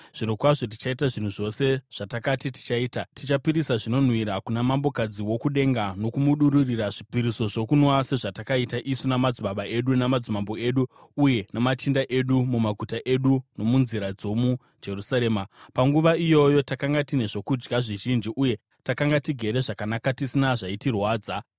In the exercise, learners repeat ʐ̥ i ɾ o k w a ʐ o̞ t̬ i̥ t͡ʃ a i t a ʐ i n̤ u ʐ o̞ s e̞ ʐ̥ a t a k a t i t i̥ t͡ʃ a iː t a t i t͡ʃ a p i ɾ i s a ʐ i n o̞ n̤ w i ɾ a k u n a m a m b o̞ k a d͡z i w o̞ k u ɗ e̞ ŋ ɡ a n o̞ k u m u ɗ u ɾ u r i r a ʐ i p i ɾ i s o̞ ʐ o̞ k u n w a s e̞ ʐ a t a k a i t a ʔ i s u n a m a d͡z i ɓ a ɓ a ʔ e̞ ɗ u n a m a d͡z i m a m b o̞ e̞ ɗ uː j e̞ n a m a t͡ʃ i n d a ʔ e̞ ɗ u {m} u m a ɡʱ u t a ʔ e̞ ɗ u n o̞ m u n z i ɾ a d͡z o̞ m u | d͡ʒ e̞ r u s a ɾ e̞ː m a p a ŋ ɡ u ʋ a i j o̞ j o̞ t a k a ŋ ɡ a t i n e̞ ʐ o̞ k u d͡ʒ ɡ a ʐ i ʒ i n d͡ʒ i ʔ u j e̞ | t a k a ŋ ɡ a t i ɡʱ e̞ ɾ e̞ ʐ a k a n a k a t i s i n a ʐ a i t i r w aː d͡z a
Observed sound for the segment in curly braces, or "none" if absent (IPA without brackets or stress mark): m